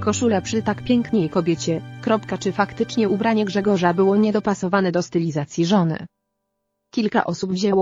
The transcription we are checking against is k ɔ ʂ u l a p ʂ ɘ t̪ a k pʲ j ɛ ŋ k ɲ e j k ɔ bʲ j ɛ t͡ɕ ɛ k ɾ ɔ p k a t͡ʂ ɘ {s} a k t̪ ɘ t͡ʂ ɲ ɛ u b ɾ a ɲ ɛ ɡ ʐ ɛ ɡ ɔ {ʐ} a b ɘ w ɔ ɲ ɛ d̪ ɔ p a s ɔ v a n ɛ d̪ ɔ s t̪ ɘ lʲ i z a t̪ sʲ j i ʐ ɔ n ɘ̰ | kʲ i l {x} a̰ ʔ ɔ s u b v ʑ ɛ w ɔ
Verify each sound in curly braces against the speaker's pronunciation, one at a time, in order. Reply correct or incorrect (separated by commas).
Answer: incorrect, correct, incorrect